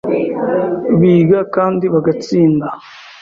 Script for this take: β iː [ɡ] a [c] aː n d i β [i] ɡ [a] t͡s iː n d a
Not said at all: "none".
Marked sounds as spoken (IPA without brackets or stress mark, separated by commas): ɡ, k, a, a